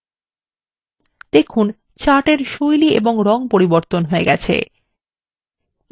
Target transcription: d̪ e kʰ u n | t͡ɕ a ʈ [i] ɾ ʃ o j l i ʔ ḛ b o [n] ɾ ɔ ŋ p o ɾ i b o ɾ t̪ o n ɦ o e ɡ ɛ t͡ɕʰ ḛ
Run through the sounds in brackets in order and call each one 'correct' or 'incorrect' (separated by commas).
incorrect, incorrect